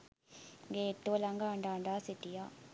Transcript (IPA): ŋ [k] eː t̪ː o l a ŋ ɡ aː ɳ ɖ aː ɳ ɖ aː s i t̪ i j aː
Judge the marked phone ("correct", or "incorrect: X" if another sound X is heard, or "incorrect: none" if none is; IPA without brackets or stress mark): incorrect: ɡ